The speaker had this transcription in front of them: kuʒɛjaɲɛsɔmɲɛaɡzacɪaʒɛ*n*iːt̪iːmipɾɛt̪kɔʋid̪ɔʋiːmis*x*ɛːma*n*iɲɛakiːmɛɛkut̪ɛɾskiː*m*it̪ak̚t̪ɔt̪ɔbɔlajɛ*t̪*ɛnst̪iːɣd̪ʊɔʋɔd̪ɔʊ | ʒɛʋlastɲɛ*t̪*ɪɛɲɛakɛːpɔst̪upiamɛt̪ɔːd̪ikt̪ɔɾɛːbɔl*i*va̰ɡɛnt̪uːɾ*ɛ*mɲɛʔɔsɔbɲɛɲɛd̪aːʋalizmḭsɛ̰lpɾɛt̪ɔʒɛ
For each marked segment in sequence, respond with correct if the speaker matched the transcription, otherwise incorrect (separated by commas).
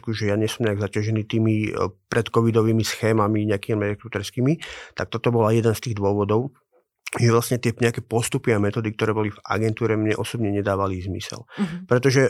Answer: correct, correct, incorrect, correct, incorrect, correct, correct, correct